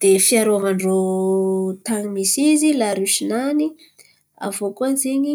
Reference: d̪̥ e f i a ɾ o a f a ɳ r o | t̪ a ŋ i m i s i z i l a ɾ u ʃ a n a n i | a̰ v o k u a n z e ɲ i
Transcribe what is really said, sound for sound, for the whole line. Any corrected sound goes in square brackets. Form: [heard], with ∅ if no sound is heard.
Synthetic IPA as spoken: d̪̥ e f i a ɾ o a [v] a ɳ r o | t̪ a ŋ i m i s i z i l a ɾ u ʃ [i] n a n i | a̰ v o k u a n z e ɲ i